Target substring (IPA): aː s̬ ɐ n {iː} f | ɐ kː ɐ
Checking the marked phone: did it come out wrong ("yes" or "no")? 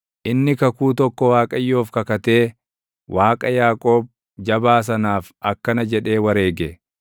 yes